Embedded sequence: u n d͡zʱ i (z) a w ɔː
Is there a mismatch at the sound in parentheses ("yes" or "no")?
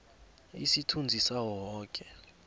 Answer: yes